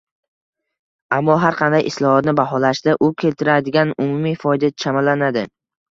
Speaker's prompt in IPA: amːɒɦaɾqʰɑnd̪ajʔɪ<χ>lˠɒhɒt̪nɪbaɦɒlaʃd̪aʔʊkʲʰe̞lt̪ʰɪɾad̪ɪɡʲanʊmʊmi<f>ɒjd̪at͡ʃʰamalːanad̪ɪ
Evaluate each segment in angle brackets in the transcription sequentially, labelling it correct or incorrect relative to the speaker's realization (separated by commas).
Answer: incorrect, correct